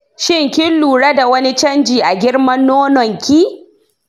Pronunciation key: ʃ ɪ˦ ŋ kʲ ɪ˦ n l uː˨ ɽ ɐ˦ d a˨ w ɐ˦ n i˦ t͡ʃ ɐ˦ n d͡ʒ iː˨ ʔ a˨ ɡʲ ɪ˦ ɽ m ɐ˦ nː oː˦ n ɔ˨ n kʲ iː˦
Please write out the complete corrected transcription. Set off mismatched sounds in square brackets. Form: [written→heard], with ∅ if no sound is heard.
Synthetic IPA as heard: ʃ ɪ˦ ŋ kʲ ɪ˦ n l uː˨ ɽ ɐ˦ d a˨ w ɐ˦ n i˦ t͡ʃ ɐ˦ n d͡ʒ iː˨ ʔ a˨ ɡʲ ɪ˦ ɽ m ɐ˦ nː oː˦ n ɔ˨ [n→ŋ] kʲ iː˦

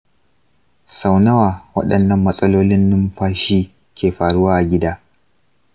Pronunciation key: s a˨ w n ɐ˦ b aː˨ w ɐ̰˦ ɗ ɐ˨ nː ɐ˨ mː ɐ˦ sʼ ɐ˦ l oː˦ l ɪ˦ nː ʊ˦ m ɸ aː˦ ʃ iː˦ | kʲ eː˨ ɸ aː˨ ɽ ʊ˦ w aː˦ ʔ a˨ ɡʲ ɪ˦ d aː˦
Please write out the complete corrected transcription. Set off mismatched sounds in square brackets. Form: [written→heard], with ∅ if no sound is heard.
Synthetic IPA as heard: s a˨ w n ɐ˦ [b→w] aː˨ w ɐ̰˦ ɗ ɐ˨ nː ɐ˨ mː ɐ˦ sʼ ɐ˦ l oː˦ l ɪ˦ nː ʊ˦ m ɸ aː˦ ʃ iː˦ | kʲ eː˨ ɸ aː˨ ɽ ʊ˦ w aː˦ ʔ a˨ ɡʲ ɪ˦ d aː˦

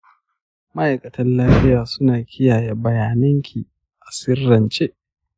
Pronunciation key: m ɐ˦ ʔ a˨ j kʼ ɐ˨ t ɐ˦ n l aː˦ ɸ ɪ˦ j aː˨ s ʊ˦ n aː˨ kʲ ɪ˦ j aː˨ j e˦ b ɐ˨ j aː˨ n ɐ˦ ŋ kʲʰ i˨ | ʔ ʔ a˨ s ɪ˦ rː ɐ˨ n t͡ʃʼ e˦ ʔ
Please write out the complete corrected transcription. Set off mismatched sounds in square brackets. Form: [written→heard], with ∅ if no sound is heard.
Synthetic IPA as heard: m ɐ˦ ʔ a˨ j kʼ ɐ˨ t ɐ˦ n l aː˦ ɸ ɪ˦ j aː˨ s ʊ˦ n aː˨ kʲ ɪ˦ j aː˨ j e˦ b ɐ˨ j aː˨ n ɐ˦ ŋ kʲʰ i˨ | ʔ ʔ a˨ s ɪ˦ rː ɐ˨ n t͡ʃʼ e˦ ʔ

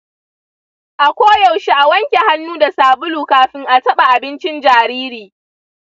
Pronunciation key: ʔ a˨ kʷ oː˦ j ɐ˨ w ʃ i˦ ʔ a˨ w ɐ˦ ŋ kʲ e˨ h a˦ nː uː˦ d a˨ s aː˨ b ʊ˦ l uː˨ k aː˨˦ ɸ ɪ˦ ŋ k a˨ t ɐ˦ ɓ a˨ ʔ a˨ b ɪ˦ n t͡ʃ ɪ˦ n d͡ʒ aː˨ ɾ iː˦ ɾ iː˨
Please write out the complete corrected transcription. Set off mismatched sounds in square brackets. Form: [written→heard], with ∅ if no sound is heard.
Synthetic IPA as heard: ʔ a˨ kʷ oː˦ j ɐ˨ w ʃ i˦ ʔ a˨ w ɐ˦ ŋ kʲ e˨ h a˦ nː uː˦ d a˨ s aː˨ b ʊ˦ l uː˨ k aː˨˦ ɸ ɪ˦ ŋ [k→ʔ] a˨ t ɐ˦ ɓ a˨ ʔ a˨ b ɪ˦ n t͡ʃ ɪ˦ n d͡ʒ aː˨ ɾ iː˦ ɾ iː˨

